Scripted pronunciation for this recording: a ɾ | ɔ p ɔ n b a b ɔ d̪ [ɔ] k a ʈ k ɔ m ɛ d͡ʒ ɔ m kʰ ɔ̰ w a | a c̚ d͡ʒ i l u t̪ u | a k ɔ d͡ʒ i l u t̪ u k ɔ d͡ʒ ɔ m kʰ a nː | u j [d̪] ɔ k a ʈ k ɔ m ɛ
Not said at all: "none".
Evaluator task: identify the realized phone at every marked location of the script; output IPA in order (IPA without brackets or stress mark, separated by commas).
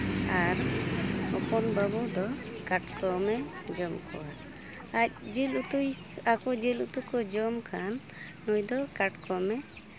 ɔ, d̪